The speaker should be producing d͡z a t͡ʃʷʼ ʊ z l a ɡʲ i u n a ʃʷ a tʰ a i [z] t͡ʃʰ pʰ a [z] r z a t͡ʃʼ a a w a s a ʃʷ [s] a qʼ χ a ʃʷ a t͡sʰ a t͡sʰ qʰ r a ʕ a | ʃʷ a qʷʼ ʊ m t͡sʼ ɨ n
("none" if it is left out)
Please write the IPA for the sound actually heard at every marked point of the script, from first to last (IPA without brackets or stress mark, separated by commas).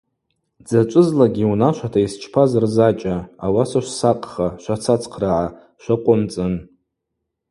s, z, s